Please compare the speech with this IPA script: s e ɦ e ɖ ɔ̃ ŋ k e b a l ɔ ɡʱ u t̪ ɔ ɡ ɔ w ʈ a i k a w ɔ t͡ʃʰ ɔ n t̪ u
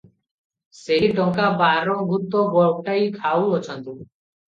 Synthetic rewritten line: s e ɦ i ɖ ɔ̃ ŋ k a b a ɾ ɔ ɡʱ u t̪ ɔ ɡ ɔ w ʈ a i kʰ a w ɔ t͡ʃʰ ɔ n t̪ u